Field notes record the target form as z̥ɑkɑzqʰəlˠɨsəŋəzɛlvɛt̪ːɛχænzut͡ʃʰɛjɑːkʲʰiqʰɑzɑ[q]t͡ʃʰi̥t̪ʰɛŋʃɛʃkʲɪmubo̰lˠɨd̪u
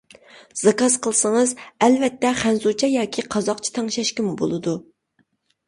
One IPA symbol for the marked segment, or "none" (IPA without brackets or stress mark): q